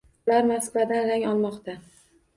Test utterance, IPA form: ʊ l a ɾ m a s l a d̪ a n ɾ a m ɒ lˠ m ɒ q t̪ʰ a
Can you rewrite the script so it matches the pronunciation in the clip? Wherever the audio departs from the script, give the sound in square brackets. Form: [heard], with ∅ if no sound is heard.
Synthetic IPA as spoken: ʊ l a ɾ m a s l a d̪ a n ɾ a [ŋ] ɒ lˠ m ɒ q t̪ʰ a